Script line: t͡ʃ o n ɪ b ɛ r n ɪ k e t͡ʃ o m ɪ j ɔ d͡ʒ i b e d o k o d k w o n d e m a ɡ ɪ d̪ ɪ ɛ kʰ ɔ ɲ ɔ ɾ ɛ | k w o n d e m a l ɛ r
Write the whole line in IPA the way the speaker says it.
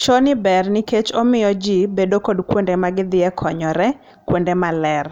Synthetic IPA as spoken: t͡ʃ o n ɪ b ɛ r n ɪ k e t͡ʃ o m ɪ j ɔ d͡ʒ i b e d o k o d k w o n d e m a ɡ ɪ d̪ ɪ ɛ kʰ ɔ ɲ ɔ ɾ ɛ | k w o n d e m a l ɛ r